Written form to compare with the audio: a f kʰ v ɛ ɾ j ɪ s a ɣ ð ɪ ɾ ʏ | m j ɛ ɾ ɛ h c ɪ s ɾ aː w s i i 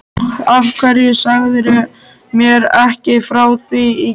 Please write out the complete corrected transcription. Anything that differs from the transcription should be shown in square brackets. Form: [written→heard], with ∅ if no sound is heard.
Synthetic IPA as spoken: a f kʰ v ɛ ɾ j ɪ s a ɣ ð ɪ ɾ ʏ | m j ɛ ɾ ɛ h c ɪ [s→f] ɾ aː w [s→θ] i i